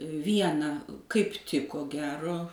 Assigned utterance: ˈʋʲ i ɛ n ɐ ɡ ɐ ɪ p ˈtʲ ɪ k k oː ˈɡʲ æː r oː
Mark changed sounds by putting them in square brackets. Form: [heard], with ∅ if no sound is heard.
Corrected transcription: ˈʋʲ i ɛ n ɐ [k] ɐ ɪ p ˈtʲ ɪ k k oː ˈɡʲ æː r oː